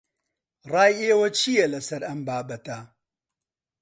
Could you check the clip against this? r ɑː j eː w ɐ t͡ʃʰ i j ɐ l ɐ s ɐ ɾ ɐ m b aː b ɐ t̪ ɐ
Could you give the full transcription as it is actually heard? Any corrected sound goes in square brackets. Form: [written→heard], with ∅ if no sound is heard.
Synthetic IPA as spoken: r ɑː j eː w ɐ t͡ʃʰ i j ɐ l ɐ s ɐ ɾ ɐ m b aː b ɐ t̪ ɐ